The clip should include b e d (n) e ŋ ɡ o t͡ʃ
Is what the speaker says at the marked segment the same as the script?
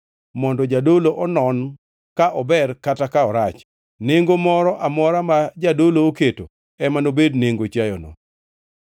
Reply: yes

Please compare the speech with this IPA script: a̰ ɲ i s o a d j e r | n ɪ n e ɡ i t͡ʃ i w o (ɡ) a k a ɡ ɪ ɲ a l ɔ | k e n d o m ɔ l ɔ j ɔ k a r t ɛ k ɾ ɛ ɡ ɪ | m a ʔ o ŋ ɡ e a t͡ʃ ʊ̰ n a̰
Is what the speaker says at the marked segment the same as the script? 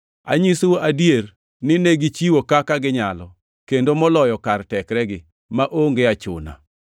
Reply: no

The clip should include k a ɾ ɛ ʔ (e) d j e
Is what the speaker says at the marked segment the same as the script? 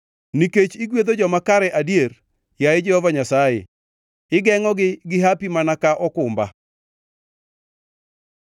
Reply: no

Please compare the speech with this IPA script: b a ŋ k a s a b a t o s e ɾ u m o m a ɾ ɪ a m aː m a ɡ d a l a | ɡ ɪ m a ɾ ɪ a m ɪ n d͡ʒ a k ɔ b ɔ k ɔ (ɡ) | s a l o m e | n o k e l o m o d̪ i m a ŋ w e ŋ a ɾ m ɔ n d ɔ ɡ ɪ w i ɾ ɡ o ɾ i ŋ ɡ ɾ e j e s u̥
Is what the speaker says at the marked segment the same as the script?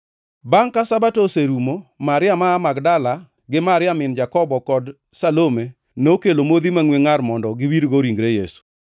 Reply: no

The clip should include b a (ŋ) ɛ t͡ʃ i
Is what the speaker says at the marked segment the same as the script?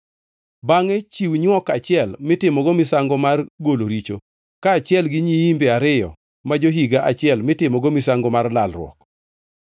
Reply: yes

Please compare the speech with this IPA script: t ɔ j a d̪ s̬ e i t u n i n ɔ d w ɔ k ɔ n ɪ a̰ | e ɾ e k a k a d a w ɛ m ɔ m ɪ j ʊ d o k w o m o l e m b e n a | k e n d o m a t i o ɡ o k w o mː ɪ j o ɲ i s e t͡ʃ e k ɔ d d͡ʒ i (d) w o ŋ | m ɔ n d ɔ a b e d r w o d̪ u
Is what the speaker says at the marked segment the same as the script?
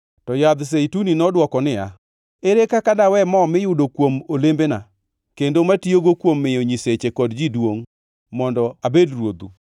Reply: yes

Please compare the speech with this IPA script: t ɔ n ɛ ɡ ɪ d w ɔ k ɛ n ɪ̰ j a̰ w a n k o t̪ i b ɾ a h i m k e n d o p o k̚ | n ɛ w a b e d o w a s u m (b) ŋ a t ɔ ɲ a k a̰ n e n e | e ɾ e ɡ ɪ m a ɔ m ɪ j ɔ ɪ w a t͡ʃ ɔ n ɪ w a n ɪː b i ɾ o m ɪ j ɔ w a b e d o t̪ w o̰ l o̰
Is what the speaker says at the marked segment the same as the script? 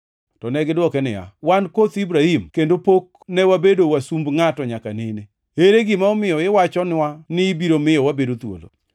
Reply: yes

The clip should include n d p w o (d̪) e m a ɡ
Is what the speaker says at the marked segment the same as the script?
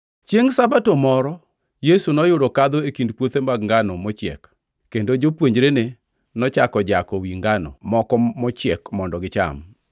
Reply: no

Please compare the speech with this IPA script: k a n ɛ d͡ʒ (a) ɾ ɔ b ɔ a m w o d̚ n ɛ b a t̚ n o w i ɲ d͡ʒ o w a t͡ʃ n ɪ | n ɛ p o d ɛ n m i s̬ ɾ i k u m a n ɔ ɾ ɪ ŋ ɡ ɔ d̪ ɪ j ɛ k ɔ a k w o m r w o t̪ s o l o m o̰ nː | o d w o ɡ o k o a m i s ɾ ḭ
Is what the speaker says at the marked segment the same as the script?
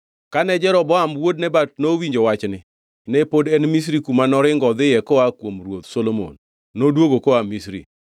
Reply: no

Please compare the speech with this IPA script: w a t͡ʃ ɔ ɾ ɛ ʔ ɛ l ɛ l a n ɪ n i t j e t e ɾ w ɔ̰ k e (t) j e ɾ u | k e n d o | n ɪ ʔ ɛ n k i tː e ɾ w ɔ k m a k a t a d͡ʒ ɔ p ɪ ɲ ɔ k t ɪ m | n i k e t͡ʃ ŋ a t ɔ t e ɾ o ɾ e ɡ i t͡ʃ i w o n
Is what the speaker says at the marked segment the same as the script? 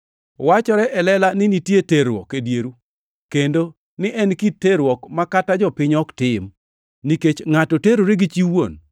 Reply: no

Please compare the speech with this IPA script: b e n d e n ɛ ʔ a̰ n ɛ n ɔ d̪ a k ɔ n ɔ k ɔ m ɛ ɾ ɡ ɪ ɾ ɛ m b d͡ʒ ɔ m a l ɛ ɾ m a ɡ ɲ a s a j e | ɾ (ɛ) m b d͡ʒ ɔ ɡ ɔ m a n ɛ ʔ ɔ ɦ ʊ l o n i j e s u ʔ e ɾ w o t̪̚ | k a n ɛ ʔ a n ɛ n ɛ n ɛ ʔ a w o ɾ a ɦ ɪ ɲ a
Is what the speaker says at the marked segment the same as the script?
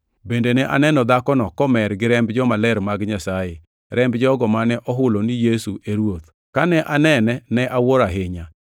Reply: yes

